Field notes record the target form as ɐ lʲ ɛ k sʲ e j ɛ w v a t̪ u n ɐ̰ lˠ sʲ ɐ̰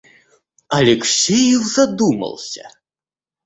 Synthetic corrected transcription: ɐ lʲ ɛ k sʲ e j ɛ w z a d̪ u m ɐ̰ lˠ sʲ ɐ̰